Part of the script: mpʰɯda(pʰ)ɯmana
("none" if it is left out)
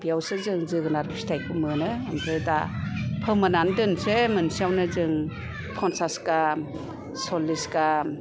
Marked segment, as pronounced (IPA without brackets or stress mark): pʰ